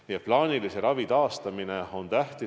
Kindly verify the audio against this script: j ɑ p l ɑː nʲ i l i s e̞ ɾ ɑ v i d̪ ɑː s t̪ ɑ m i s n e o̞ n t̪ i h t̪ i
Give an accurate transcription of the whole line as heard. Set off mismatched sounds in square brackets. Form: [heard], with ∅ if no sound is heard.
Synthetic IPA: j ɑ p l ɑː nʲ i l i s e̞ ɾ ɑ v i [t̪] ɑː s t̪ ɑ m i [∅] n e o̞ n t̪ [æ] h t̪ i